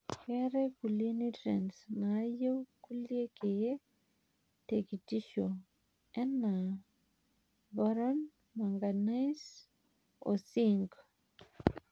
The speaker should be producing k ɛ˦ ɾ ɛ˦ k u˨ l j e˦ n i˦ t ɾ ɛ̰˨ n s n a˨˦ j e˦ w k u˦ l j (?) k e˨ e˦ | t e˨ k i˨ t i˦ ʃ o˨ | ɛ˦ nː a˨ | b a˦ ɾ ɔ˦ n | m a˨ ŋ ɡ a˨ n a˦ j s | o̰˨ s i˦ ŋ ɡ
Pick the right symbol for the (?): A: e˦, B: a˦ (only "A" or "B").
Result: A